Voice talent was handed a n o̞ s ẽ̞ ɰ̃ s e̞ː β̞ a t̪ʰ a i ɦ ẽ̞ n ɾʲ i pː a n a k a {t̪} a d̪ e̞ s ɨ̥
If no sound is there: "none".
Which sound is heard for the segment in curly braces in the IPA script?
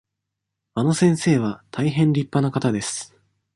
t̪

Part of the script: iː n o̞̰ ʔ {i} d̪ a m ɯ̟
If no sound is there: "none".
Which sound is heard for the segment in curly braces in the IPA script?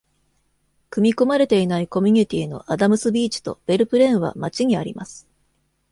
a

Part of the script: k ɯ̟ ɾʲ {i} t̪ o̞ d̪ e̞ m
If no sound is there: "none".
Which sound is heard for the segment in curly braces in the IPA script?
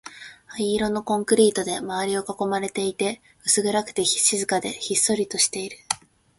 iː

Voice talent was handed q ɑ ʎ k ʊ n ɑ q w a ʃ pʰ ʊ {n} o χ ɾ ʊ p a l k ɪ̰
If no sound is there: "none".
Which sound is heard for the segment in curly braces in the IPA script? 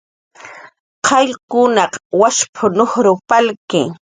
n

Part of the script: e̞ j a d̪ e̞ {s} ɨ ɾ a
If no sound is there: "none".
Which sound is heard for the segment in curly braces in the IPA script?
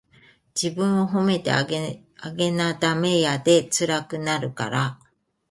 t͡s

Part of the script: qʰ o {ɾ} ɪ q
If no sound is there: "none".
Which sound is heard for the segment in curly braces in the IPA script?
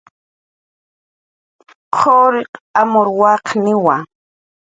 ɾ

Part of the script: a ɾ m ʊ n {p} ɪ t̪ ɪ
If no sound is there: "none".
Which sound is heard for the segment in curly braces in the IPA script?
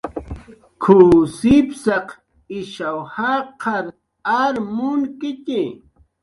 k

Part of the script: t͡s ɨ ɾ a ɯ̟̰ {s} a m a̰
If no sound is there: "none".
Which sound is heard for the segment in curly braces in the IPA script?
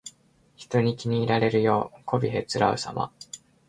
s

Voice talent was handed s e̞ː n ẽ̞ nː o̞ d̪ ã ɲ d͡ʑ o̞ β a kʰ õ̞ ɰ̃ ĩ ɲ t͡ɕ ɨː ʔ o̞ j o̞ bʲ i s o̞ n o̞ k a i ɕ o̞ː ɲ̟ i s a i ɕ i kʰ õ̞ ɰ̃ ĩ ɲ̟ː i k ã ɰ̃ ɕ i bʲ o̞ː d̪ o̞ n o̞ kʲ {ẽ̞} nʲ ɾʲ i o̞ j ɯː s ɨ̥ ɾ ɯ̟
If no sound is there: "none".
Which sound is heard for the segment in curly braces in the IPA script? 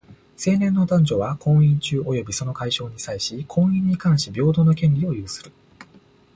ẽ̞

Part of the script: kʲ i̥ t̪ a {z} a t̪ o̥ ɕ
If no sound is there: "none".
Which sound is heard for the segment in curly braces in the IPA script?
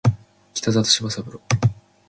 z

